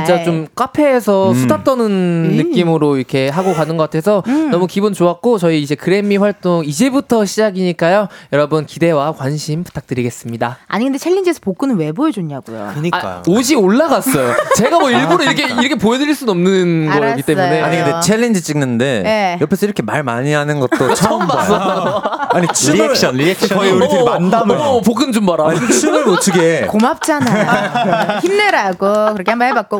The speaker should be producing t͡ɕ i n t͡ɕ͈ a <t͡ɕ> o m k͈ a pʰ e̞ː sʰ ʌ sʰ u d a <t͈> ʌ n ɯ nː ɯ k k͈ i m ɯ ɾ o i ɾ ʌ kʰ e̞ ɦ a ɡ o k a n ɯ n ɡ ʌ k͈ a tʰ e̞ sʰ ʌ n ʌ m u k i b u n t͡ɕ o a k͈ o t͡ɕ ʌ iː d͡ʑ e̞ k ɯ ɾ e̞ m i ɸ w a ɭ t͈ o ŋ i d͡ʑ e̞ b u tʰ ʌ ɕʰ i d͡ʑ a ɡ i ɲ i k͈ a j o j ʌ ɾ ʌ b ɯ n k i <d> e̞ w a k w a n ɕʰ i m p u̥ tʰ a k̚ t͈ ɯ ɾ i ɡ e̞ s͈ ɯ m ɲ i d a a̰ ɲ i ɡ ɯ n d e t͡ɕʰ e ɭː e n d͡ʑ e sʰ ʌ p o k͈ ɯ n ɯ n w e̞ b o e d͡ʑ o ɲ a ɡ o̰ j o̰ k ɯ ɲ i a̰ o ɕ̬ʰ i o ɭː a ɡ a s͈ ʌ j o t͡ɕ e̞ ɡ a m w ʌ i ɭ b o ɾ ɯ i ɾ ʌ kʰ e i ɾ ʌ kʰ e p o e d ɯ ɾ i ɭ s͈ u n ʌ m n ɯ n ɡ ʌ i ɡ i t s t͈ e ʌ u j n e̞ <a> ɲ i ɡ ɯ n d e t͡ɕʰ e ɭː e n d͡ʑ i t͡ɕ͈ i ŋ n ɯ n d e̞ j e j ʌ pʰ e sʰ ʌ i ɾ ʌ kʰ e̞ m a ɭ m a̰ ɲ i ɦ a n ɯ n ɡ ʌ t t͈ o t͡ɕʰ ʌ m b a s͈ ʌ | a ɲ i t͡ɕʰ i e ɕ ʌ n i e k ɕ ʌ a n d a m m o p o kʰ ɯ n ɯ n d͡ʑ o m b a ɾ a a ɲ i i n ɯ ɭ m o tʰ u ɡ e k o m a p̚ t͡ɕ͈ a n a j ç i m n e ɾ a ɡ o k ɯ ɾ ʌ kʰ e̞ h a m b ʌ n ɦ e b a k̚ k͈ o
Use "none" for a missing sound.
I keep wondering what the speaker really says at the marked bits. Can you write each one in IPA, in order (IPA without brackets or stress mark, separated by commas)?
t͡ɕ, t͈, d, a